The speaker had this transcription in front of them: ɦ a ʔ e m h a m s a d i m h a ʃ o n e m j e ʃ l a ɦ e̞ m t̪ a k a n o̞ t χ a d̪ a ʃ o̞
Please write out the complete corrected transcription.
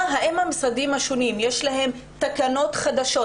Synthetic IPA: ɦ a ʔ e m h a m s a d i m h a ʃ o n i m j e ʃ l a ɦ e̞ m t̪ a k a n o̞ t χ a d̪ a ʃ o̞